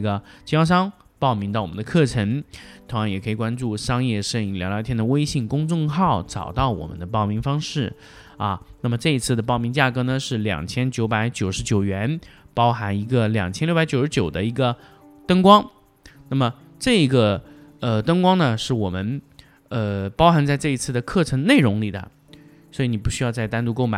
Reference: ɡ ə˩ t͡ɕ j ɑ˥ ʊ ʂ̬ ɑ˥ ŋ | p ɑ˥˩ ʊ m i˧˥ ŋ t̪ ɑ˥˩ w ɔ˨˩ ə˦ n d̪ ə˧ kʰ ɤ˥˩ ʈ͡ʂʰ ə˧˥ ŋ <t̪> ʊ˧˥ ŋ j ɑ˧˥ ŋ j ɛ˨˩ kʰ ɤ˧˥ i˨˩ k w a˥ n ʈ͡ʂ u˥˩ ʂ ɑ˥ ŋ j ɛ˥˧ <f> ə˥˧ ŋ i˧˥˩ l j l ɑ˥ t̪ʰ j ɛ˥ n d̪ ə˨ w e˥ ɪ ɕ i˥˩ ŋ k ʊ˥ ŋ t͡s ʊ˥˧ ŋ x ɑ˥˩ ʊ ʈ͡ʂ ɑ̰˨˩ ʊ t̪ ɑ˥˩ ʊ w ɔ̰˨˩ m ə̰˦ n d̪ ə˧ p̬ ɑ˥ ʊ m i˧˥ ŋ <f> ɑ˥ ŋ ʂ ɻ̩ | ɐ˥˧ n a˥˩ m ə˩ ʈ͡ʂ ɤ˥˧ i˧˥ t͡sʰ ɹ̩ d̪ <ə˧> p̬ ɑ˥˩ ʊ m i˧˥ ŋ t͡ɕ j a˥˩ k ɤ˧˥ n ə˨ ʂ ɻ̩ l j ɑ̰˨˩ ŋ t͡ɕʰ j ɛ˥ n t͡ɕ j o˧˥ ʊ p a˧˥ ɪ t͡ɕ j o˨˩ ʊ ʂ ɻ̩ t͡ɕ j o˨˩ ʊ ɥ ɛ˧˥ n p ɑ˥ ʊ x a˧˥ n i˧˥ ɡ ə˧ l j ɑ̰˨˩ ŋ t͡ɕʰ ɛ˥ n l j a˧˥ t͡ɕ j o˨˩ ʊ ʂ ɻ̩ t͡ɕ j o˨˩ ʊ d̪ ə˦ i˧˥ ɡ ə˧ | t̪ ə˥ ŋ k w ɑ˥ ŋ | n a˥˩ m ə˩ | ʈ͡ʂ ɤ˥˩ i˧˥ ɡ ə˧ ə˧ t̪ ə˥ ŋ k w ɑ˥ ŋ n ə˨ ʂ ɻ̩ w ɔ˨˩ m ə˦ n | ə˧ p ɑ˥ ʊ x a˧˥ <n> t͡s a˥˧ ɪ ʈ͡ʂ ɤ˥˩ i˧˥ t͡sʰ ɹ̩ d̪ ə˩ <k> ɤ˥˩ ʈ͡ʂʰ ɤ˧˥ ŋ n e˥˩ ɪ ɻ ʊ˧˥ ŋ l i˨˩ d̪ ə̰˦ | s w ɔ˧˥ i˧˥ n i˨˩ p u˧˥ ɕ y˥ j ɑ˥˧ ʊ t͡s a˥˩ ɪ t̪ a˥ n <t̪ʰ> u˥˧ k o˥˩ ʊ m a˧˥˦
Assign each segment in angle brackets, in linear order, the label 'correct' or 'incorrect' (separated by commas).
incorrect, incorrect, correct, incorrect, correct, incorrect, incorrect